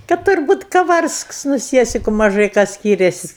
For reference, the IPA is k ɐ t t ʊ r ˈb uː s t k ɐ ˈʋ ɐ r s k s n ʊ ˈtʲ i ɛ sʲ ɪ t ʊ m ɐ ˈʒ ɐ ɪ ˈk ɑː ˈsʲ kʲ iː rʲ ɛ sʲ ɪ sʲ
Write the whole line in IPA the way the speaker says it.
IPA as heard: k ɐ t t ʊ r ˈb uː t k ɐ ˈʋ ɐ r s k s n ʊ ˈsʲ i ɛ sʲ ɪ k ʊ m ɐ ˈʒ ɐ ɪ ˈk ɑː ˈsʲ kʲ iː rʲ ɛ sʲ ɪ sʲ